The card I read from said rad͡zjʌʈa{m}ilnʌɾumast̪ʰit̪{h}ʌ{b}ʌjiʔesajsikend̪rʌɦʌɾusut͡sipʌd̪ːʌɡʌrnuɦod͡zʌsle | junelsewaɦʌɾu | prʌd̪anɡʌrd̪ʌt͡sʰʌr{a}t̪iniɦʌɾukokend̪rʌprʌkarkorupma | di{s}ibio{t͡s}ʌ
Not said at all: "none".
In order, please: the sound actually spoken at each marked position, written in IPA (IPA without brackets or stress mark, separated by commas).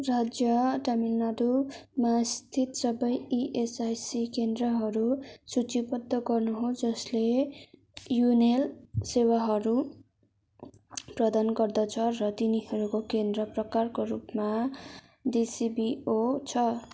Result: m, s, b, ʌ, s, t͡sʰ